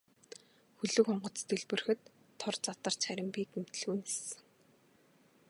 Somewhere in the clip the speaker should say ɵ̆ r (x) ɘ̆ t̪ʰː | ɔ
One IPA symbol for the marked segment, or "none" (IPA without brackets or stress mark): x